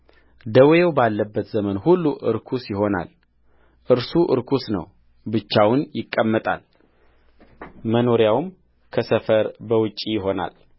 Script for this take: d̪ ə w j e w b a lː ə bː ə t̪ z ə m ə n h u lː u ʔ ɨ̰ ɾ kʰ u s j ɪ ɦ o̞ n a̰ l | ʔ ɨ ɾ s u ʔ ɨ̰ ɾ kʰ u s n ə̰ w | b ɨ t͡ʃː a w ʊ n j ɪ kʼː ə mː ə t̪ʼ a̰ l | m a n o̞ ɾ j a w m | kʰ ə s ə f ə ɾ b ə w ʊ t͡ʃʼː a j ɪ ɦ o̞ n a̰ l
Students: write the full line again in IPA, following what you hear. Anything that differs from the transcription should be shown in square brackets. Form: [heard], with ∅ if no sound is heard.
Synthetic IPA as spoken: d̪ ə w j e w b a lː ə bː ə t̪ z ə m ə n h u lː u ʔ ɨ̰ ɾ kʰ u s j ɪ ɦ o̞ n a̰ l | ʔ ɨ ɾ s u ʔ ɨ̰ ɾ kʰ u s n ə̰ w | b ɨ t͡ʃː a w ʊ n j ɪ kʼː ə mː ə t̪ʼ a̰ l | m [ə] n o̞ ɾ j a w m | kʰ ə s ə f ə ɾ b ə w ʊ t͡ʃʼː [i] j ɪ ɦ o̞ n a̰ l